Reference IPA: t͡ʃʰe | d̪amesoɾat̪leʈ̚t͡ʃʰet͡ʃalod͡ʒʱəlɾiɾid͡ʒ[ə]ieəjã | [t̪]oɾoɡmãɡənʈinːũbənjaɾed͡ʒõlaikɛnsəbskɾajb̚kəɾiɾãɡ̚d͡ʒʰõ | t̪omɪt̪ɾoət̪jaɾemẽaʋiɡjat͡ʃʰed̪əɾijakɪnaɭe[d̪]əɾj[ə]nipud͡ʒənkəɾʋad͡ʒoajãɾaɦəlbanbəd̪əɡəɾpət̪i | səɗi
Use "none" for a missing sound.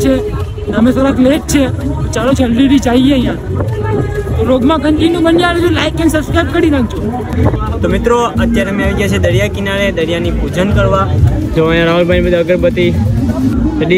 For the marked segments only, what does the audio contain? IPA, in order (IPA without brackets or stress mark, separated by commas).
a, t̪, d̪, a